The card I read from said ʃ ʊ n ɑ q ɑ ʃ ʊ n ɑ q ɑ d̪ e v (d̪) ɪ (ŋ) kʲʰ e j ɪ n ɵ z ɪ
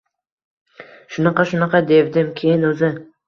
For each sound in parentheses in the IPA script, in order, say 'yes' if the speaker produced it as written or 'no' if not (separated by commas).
yes, no